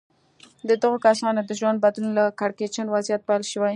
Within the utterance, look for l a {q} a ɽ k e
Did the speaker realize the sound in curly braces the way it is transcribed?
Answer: no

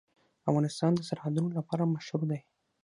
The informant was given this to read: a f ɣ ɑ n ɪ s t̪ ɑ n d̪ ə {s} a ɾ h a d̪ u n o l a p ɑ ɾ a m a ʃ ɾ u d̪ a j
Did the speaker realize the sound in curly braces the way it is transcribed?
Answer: yes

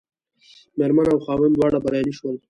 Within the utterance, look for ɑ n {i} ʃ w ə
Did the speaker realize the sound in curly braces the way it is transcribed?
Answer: yes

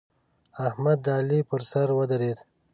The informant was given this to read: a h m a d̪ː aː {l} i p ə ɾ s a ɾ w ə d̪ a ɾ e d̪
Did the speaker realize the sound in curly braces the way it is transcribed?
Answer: yes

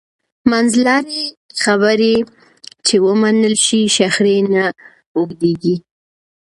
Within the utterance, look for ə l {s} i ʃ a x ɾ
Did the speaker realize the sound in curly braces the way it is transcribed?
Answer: no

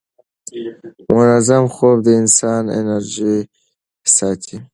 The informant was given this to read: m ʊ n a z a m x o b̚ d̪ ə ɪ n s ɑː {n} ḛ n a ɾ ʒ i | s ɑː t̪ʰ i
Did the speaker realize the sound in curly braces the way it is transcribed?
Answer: yes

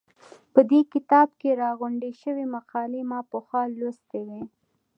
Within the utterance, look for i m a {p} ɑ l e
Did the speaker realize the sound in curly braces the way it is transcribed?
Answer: no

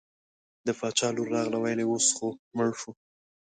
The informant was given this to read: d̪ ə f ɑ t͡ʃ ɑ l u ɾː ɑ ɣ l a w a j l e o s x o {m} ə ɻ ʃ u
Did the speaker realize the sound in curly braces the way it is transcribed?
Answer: yes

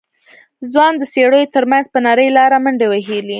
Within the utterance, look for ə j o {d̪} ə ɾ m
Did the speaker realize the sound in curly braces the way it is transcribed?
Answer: no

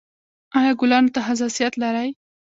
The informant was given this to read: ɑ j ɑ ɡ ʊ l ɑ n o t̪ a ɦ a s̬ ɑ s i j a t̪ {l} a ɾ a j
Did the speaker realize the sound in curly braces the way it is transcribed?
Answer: yes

